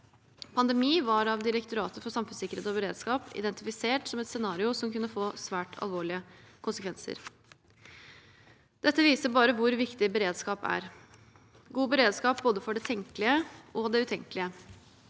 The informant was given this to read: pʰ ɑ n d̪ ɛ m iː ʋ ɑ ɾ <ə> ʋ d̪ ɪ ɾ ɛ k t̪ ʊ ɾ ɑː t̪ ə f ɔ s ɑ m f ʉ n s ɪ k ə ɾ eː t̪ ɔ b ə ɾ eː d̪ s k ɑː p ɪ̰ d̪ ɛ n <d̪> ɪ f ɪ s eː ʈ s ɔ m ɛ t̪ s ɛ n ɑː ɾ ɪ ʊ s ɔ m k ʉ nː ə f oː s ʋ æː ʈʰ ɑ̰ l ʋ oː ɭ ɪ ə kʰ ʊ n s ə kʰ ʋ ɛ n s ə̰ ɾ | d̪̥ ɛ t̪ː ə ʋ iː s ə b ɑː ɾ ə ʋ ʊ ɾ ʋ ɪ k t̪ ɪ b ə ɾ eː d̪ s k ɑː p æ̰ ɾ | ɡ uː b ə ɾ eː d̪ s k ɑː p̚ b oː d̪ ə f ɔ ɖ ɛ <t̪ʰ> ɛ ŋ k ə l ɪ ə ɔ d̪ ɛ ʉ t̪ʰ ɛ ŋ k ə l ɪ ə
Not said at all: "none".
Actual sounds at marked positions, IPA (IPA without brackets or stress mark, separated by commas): ɑ, t̪, t̪ʰ